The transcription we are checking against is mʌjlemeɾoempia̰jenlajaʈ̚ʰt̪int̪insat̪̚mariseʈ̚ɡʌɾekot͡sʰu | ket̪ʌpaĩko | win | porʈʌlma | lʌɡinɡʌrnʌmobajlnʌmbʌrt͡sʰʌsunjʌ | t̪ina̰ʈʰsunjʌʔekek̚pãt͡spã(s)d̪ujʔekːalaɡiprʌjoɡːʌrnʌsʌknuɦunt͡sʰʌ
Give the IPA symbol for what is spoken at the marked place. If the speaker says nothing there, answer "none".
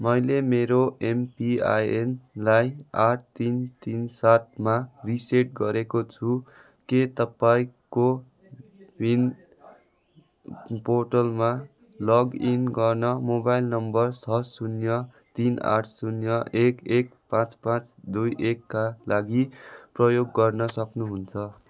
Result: t͡s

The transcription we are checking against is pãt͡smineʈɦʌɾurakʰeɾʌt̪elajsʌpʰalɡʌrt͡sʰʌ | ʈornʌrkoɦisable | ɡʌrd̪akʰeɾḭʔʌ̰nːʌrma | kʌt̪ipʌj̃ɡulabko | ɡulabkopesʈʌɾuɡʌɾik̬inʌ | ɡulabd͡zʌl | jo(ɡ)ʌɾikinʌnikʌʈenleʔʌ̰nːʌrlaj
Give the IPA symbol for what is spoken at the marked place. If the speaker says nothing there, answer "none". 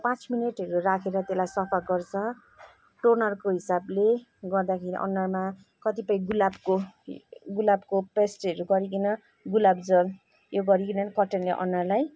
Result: ɡ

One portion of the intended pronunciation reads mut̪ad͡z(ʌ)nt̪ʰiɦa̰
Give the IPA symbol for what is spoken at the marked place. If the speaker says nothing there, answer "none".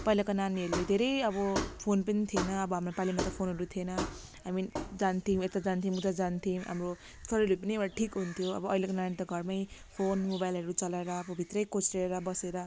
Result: a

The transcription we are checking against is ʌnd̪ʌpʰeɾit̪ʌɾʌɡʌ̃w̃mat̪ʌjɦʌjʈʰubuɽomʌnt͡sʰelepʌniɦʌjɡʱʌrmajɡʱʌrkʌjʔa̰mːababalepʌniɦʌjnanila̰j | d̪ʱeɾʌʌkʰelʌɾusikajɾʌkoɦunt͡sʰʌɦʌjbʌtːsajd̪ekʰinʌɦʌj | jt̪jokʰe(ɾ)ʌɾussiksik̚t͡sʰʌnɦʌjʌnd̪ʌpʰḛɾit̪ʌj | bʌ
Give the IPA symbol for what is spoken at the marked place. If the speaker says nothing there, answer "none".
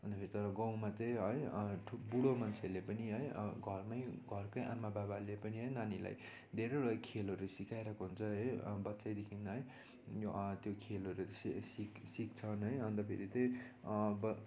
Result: l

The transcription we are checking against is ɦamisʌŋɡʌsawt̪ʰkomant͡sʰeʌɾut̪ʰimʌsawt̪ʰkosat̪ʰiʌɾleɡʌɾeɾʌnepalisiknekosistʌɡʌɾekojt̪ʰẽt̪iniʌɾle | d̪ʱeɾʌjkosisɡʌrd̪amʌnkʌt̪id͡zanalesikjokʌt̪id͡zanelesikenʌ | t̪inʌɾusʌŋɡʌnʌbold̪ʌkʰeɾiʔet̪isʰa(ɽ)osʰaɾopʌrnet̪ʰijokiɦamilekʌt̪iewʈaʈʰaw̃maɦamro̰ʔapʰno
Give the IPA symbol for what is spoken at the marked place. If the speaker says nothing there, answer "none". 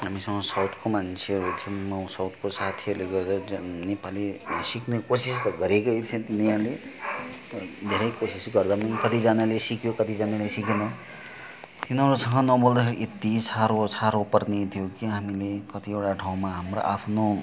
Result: ɾ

